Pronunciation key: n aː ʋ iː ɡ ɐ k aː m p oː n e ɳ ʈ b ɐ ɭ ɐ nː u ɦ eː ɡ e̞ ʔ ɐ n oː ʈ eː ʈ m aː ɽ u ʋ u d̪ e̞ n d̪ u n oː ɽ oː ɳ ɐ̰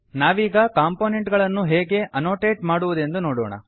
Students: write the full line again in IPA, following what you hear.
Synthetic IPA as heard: n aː ʋ iː ɡ ɐ k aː m p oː n e ɳ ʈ ɡ ɐ ɭ ɐ nː u ɦ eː ɡ e̞ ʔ ɐ n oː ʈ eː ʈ m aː ɽ u ʋ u d̪ e̞ n d̪ u n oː ɽ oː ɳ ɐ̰